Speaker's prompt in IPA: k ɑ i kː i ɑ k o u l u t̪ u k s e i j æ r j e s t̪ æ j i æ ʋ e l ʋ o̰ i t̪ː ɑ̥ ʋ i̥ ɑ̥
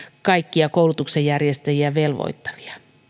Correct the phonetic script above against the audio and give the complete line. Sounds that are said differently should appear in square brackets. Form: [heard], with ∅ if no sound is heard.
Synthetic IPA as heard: k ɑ i kː i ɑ k o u l u t̪ u k s e [j] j æ r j e s t̪ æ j i æ ʋ e l ʋ o̰ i t̪ː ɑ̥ ʋ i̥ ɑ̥